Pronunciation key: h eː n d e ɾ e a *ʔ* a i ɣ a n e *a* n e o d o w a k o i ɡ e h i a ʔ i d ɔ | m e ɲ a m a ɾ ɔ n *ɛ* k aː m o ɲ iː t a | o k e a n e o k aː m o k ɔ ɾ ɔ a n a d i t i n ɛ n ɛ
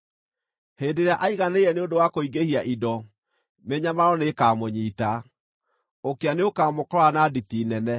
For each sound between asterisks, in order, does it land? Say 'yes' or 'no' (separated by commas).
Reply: yes, no, no